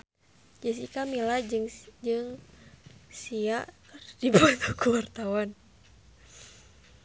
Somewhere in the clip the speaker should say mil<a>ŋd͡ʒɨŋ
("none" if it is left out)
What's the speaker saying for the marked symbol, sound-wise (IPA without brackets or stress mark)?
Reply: a